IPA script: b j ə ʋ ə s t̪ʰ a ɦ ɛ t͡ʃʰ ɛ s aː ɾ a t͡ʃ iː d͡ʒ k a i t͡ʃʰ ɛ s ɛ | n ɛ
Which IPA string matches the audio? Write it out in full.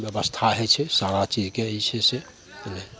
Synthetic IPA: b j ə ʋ ə s t̪ʰ a ɦ ɛ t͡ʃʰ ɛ s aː ɾ a t͡ʃ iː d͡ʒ k e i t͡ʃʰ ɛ s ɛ | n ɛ